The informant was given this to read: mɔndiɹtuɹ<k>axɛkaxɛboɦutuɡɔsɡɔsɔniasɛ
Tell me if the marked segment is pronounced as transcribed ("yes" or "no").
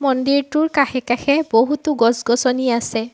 yes